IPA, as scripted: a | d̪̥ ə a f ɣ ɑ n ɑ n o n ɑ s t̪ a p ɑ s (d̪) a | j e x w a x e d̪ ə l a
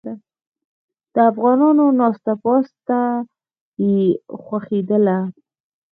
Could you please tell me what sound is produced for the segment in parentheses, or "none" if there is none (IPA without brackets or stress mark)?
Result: t̪